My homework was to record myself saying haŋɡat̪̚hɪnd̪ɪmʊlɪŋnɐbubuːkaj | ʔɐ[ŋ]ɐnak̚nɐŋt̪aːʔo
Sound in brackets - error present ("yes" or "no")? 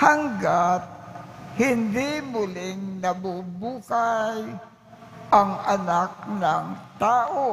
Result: no